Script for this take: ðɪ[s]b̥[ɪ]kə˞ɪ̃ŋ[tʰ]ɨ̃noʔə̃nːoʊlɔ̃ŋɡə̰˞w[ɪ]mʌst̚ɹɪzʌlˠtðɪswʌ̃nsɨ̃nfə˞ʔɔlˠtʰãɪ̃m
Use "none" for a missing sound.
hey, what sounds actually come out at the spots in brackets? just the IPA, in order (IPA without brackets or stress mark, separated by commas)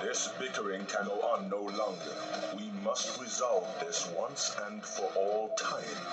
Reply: s, ɪ, kʰ, i